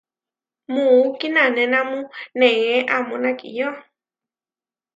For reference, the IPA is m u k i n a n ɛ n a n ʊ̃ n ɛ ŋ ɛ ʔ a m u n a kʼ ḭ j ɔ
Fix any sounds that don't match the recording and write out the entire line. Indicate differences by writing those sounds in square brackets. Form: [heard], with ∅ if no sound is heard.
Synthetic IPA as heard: m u k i n a n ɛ n a [m] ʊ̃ n ɛ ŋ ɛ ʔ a m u n a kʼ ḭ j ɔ